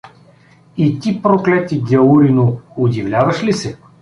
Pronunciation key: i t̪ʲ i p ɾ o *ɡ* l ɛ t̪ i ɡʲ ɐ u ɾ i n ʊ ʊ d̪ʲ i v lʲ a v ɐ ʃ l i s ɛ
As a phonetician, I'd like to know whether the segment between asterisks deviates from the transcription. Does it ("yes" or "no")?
yes